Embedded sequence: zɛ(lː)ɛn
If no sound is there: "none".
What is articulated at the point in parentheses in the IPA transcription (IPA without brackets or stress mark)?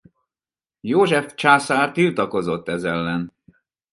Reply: lː